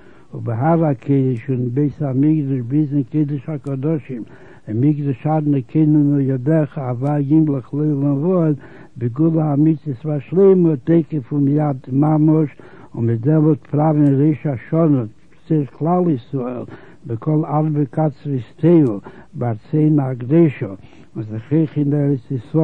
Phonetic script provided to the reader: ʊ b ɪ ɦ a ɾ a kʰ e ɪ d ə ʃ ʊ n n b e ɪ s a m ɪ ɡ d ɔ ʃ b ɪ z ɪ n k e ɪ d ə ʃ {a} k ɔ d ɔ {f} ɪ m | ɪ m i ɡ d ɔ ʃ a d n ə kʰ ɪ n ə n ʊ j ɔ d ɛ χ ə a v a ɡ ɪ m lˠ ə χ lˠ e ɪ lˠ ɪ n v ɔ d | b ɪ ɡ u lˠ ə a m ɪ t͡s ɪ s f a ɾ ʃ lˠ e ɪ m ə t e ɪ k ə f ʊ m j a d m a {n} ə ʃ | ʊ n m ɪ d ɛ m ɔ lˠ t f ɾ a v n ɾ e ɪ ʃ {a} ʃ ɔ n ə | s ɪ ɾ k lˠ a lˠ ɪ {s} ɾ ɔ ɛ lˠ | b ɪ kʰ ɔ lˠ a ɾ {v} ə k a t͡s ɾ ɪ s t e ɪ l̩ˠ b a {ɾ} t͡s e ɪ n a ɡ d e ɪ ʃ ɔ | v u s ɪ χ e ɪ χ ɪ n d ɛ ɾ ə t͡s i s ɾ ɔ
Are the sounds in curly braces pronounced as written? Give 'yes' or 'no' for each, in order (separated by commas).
yes, no, no, yes, yes, no, yes